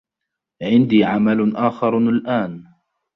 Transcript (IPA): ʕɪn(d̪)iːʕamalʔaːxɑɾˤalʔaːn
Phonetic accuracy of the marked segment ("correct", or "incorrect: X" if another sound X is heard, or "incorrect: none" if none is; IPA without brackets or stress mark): correct